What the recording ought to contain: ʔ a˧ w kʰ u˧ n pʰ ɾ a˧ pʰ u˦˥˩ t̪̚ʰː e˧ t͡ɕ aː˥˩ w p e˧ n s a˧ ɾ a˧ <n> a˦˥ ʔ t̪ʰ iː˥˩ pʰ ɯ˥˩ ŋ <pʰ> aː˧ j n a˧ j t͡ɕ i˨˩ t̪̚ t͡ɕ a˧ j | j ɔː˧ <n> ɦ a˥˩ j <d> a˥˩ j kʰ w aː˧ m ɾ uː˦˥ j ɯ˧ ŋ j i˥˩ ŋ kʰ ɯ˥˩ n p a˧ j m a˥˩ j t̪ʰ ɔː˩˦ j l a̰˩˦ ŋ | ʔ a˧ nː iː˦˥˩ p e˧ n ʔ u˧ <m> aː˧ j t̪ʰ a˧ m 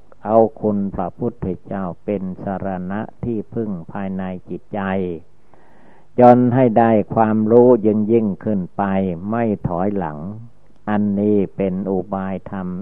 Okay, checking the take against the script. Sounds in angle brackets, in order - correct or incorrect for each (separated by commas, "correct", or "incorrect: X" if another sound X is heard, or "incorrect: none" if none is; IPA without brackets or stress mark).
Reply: correct, correct, correct, correct, incorrect: b